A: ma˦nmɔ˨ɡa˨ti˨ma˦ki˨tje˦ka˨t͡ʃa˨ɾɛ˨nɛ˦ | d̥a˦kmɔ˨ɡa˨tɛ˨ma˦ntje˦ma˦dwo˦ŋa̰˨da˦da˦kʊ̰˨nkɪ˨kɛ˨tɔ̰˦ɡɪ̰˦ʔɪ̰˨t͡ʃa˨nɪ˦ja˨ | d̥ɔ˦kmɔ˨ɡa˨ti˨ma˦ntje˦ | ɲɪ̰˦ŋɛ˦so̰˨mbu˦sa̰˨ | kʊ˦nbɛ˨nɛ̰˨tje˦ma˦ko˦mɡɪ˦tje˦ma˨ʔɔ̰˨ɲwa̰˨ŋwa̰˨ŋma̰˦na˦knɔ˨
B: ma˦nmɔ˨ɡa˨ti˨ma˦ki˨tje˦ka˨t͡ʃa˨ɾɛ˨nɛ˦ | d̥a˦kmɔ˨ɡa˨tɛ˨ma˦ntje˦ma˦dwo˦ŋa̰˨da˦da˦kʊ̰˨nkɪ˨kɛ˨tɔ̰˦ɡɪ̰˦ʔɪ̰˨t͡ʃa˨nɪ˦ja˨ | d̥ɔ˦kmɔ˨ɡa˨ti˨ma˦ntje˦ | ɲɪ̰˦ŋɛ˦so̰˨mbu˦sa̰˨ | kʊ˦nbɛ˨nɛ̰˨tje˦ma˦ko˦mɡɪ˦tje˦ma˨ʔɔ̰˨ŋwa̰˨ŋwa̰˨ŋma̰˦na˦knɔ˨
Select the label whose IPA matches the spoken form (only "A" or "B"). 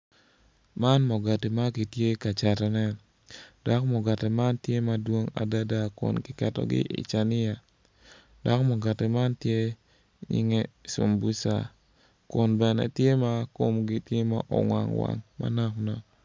B